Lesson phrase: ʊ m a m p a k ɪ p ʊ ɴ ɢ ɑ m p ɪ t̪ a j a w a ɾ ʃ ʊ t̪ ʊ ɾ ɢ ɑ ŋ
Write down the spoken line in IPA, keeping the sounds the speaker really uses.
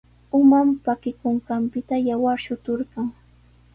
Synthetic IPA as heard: ʊ m a m p a k ɪ k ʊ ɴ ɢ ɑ m p ɪ t̪ a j a w a ɾ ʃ ʊ t̪ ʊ ɾ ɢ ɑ ŋ